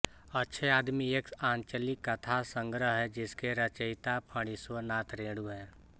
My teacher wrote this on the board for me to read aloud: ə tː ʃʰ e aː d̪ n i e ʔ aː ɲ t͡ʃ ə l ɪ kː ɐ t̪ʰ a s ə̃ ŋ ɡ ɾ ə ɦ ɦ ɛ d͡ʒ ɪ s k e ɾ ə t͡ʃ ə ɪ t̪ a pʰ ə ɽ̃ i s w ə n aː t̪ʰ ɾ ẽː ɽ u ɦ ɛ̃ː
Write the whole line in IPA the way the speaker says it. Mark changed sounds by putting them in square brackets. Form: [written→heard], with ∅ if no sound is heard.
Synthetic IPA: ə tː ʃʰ e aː d̪ [n→m] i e [ʔ→k] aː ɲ t͡ʃ ə l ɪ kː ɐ t̪ʰ a s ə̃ ŋ ɡ ɾ ə ɦ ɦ ɛ d͡ʒ ɪ s k e ɾ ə t͡ʃ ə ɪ t̪ a pʰ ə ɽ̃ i s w ə n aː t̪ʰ ɾ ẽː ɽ u ɦ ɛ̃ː